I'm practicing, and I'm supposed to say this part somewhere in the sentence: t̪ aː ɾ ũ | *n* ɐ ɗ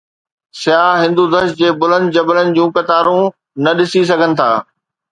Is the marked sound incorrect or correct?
correct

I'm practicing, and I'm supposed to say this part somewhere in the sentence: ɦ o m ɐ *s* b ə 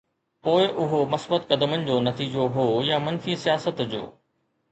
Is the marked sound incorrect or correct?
correct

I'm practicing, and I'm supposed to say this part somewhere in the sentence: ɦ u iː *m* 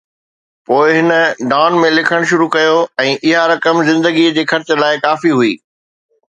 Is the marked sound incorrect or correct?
incorrect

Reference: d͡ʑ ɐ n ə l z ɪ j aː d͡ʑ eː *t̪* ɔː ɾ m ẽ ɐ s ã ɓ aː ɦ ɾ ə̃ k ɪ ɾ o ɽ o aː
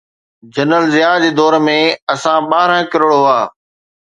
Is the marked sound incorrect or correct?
incorrect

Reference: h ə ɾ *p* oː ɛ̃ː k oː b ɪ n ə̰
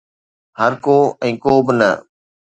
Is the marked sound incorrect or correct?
incorrect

